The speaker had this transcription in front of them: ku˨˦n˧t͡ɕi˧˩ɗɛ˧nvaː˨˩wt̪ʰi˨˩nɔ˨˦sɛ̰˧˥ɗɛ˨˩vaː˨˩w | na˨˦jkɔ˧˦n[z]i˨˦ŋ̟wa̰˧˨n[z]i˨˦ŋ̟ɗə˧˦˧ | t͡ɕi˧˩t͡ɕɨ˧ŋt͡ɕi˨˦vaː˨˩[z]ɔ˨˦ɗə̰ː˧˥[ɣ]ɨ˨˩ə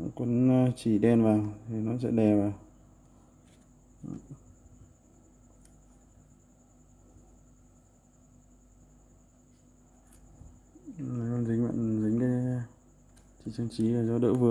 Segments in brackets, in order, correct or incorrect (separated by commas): correct, correct, correct, incorrect